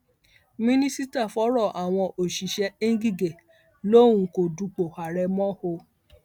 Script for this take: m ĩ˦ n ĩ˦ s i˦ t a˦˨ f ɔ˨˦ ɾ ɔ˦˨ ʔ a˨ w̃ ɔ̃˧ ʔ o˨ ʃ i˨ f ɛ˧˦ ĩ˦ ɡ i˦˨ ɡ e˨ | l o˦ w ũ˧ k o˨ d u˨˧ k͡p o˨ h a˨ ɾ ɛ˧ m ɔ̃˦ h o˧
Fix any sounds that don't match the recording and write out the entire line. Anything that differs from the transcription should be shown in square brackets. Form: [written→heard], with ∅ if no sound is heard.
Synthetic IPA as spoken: m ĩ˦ n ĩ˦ s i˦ t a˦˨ f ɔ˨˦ ɾ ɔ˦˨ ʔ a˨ w̃ ɔ̃˧ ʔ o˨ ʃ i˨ [f→ʃ] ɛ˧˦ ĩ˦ ɡ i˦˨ ɡ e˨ | l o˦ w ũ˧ k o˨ d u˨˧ k͡p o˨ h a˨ ɾ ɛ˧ m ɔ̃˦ h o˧